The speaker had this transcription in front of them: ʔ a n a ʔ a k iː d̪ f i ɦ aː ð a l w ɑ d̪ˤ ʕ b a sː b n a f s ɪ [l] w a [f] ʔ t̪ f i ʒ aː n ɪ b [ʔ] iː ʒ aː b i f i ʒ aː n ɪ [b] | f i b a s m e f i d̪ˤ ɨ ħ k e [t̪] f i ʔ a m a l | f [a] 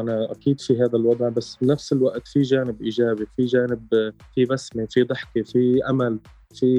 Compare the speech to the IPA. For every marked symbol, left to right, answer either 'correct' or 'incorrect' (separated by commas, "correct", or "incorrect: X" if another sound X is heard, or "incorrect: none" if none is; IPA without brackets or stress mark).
correct, incorrect: none, correct, correct, incorrect: none, incorrect: i